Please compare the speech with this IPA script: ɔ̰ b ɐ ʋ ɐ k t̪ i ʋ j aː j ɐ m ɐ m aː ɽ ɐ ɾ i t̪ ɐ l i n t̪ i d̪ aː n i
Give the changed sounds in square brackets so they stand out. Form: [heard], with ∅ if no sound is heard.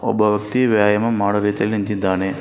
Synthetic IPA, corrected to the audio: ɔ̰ b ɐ ʋ ɐ k t̪ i ʋ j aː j ɐ m ɐ m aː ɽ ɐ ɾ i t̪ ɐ l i n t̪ i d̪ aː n [e]